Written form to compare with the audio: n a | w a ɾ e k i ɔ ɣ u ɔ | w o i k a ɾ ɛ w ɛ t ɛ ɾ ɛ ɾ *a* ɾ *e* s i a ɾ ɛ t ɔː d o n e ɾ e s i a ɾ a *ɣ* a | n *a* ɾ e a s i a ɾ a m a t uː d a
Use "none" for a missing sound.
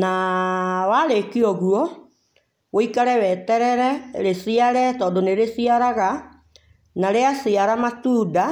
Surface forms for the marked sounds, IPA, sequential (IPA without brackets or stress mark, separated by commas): ɛ, e, ɣ, a